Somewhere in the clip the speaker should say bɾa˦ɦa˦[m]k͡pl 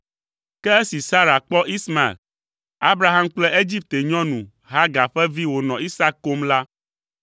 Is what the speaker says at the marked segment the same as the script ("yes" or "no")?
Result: yes